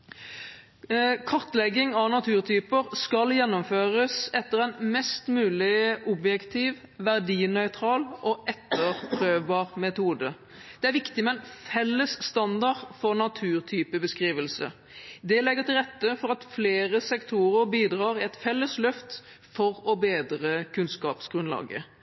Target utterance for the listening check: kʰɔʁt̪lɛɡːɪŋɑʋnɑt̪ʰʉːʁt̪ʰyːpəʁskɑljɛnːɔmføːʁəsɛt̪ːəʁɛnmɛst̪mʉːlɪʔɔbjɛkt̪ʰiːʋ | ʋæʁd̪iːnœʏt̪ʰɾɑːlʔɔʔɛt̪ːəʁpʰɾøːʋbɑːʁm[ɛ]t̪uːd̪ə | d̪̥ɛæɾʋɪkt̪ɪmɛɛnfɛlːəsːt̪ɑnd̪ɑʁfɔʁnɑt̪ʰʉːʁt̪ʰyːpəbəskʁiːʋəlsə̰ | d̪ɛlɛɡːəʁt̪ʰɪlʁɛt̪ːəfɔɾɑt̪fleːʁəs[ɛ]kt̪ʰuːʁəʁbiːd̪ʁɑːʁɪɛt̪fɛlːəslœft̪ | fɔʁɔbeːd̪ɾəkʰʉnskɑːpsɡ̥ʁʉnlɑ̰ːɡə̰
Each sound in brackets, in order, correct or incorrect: correct, correct

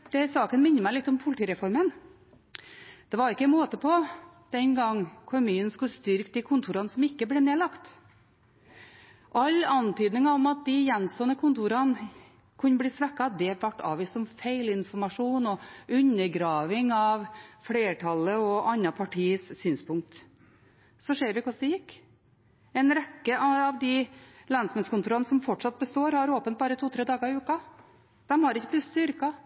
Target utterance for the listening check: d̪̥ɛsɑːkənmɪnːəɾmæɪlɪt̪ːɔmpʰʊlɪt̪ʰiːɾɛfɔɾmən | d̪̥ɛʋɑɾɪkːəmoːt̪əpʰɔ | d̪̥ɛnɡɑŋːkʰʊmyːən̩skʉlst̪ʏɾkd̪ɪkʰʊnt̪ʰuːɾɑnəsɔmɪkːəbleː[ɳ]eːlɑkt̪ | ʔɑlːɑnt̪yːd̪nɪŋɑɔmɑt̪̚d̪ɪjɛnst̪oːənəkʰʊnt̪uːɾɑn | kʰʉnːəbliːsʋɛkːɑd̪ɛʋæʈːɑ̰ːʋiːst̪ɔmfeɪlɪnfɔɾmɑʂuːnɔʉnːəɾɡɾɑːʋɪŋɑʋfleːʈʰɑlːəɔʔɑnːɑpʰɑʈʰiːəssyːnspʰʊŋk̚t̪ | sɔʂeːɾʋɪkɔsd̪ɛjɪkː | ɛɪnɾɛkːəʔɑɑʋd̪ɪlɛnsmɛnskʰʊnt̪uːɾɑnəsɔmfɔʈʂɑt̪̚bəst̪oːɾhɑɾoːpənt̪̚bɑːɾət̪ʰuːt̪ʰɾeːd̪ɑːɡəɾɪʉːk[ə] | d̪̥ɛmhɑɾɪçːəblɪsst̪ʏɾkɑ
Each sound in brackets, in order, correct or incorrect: incorrect, incorrect

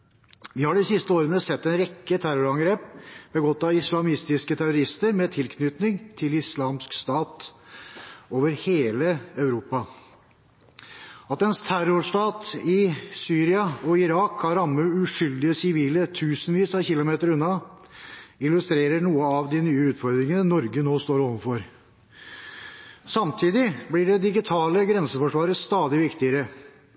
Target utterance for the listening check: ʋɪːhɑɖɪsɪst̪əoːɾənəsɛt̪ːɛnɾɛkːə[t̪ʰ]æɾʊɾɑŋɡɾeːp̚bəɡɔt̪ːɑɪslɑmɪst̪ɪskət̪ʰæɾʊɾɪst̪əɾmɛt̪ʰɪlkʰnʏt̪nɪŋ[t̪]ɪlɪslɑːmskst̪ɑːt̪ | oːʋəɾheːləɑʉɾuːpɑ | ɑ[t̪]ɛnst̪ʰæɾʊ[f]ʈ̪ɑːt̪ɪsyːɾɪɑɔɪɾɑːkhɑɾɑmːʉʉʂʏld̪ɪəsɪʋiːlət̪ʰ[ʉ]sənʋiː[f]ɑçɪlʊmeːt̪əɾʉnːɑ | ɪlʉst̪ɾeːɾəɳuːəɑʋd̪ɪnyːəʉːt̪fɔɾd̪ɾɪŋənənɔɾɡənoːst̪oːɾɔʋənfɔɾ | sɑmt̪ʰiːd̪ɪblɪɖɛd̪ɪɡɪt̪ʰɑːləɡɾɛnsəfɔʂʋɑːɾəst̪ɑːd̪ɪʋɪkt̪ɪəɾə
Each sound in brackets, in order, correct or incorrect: correct, incorrect, correct, incorrect, incorrect, incorrect

